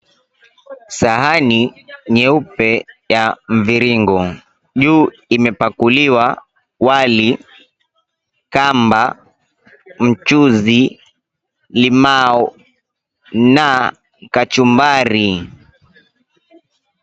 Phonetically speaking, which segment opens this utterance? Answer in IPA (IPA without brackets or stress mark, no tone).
s